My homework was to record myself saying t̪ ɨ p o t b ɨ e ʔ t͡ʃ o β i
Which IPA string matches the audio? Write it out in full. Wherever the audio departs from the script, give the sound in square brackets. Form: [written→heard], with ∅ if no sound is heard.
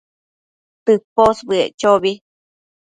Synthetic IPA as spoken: t̪ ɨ p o [t→s] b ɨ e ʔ t͡ʃ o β i